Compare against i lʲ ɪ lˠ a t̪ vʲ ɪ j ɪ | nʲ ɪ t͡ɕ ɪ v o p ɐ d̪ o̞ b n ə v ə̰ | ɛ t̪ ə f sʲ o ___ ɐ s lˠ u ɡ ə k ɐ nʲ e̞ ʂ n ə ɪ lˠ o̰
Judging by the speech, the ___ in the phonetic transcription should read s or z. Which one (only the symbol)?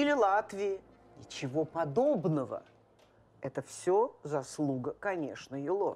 z